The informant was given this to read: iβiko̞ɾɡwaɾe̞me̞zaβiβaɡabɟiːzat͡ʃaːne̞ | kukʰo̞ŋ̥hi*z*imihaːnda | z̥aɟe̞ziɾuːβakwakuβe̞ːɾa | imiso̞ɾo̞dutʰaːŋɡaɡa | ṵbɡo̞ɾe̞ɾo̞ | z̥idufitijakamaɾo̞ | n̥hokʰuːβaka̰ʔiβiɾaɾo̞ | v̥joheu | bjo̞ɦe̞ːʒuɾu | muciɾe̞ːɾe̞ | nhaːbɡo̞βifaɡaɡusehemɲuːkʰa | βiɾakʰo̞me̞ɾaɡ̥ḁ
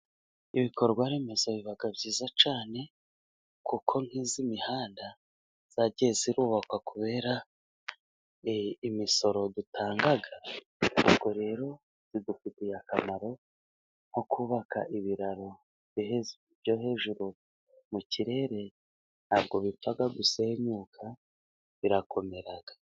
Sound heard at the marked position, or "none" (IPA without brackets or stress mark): z